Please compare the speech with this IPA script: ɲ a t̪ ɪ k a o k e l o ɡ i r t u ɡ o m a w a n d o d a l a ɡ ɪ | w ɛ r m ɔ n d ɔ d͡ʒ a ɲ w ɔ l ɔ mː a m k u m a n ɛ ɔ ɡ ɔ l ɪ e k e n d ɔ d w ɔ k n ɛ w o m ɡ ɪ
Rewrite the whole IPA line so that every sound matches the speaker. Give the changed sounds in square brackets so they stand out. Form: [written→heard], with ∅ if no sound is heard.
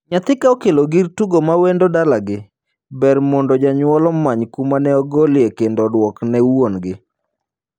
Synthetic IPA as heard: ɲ a t̪ ɪ k a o k e l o ɡ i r t u ɡ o m a w [a→e] n d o d a l a ɡ ɪ | [w→b] ɛ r m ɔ n d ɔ d͡ʒ a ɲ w ɔ l ɔ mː a [m→ɲ] k u m a n ɛ ɔ ɡ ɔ l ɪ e k e n d ɔ d w ɔ k n ɛ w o [m→n] ɡ ɪ